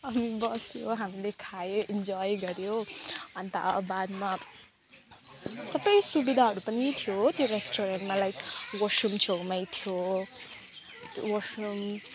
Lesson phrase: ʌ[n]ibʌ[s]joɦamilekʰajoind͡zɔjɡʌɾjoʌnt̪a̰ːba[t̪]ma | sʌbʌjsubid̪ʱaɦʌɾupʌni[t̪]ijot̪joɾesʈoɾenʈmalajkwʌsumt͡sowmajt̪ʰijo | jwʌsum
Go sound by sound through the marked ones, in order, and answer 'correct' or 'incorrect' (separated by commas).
incorrect, correct, incorrect, incorrect